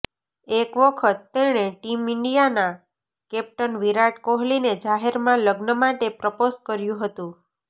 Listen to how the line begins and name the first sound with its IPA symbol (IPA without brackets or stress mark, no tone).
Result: e